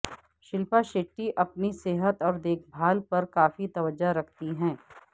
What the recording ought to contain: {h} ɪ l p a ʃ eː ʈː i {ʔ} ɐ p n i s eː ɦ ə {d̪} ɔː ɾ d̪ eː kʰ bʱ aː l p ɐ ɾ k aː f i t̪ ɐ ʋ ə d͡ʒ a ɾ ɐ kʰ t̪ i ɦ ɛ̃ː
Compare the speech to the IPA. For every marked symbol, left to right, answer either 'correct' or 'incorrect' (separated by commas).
incorrect, correct, incorrect